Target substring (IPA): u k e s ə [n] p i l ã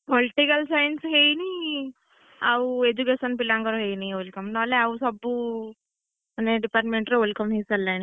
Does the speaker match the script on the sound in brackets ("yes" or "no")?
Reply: yes